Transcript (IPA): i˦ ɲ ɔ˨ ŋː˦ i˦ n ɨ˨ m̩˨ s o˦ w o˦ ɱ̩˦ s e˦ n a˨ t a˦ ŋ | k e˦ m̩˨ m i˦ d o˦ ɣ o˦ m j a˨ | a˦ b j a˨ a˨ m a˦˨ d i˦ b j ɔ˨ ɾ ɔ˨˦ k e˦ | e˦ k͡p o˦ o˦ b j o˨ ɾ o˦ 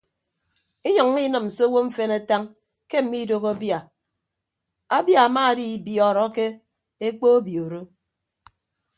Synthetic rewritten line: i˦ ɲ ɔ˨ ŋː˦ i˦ n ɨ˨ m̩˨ s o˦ w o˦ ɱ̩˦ f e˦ n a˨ t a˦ ŋ | k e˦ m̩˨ m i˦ d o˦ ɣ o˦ b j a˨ | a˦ b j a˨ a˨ m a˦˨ d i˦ b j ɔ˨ ɾ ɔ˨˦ k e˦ | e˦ k͡p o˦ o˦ b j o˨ ɾ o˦